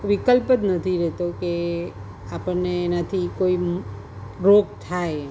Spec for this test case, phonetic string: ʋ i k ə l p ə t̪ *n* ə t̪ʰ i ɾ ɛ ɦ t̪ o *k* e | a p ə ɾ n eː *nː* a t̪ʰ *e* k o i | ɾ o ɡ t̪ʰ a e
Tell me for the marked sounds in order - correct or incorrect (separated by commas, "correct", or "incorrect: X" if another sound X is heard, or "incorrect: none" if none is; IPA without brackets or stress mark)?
correct, correct, incorrect: n, incorrect: i